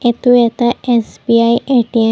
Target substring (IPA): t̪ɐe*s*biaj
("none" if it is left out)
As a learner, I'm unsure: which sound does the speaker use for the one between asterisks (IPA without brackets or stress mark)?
s